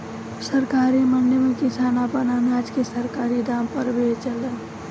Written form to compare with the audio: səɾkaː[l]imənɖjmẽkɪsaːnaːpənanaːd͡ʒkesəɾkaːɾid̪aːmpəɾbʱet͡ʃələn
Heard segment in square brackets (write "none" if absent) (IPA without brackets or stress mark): ɾ